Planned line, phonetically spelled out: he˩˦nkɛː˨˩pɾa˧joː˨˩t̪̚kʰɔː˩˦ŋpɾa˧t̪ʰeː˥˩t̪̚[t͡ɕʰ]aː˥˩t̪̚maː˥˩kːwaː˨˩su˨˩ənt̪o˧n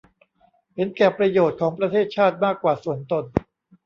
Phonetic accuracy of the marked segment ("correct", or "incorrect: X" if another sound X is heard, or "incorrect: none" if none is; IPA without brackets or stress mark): correct